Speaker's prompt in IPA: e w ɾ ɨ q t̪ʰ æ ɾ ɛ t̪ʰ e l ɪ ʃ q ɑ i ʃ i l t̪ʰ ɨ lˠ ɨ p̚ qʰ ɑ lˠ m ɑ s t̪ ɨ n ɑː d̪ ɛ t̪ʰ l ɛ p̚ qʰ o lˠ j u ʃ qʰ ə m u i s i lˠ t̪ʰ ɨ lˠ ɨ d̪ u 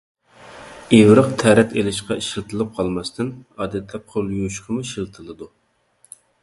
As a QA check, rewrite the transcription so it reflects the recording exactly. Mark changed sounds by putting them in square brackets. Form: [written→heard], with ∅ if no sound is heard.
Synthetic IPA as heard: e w ɾ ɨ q t̪ʰ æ ɾ ɛ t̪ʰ e l ɪ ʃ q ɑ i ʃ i l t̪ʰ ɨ lˠ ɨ p̚ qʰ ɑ lˠ m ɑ s t̪ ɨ n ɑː d̪ ɛ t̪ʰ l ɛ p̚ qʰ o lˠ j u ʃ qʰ ə m u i [s→ʃ] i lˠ t̪ʰ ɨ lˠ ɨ d̪ u